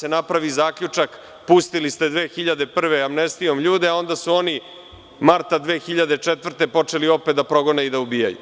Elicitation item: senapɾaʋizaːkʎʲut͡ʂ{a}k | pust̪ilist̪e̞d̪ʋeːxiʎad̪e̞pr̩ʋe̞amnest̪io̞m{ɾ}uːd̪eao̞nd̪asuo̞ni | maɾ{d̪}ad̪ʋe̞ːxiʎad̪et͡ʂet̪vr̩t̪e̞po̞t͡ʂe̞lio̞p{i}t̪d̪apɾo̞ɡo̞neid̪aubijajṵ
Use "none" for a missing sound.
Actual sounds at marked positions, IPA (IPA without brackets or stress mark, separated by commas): a, ʎ, t̪, e